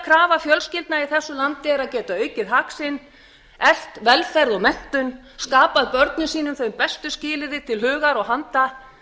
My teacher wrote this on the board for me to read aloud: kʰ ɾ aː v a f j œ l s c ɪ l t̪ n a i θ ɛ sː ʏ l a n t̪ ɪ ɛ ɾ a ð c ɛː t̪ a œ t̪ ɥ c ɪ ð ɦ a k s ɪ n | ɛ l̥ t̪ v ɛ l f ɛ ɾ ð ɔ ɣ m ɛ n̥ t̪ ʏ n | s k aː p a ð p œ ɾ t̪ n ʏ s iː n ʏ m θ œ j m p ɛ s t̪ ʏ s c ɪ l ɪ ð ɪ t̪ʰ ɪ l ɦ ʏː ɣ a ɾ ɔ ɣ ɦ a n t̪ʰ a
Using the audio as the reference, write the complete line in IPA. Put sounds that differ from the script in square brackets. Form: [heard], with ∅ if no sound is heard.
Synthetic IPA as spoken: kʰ ɾ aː v a f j œ l s c ɪ l t̪ n a i θ ɛ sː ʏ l a n t̪ ɪ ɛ ɾ a ð c ɛː t̪ a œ [∅] ɥ c ɪ ð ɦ a k s ɪ n | ɛ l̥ t̪ v ɛ l f ɛ ɾ ð ɔ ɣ m ɛ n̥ t̪ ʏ n | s k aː p a ð p œ ɾ t̪ n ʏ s iː n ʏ m θ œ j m p ɛ s t̪ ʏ s c [ɪː] l ɪ ð ɪ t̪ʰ ɪ l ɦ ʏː ɣ a ɾ ɔ ɣ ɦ a n [t̪] a